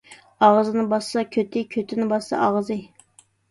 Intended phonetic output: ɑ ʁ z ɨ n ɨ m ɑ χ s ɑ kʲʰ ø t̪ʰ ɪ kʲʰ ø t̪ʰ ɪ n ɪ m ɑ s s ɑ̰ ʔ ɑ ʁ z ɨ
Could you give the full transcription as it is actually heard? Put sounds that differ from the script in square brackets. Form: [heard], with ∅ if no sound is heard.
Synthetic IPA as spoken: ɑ ʁ z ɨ n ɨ [b] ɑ [s] s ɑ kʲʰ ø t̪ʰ ɪ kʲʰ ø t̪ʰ ɪ n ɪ [b] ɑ s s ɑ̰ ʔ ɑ ʁ z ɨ